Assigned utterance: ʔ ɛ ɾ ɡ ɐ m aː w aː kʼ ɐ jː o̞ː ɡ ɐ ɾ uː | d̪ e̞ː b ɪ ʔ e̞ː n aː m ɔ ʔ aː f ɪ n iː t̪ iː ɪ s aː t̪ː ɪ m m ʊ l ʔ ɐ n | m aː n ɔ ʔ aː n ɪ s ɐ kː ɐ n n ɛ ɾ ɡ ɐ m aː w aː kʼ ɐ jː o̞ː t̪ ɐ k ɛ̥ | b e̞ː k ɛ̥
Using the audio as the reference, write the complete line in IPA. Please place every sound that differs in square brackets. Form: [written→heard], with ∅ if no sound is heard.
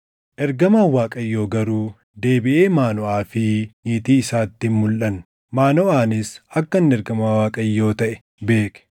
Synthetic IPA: ʔ ɛ ɾ ɡ ɐ m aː w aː kʼ ɐ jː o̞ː ɡ ɐ ɾ uː | d̪ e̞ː b ɪ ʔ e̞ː [n→m] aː [m→n] ɔ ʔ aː f ɪ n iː t̪ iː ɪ s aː t̪ː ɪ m m ʊ l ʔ ɐ n | m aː n ɔ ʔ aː n ɪ s ɐ kː ɐ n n ɛ ɾ ɡ ɐ m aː w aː kʼ ɐ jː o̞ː t̪ ɐ [k→ʔ] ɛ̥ | b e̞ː k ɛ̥